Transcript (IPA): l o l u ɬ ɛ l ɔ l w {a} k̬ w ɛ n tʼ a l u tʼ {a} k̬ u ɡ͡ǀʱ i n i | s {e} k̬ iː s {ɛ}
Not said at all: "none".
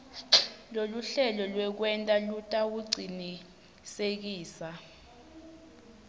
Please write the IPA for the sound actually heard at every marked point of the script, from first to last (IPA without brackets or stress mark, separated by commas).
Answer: ɛ, a, e, a